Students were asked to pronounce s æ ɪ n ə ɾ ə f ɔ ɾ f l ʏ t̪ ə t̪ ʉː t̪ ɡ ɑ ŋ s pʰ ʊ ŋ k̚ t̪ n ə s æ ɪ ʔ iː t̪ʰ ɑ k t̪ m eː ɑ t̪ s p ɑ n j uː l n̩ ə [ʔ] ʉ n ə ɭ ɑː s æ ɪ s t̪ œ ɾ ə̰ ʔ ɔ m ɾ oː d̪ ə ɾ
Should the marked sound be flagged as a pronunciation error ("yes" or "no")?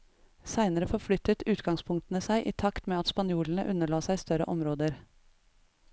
no